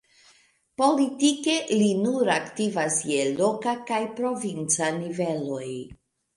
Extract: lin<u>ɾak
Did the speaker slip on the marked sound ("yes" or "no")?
no